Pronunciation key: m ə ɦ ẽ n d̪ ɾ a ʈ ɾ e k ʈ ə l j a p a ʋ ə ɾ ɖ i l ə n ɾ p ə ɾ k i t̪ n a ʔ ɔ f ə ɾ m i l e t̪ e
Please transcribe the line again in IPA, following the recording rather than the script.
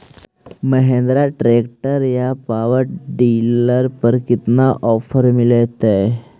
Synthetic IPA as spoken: m ə ɦ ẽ n d̪ ɾ a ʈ ɾ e k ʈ ə ɾ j a p a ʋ ə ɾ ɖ i l ə ɾ p ə ɾ k i t̪ n a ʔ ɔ f ə ɾ m i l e t̪ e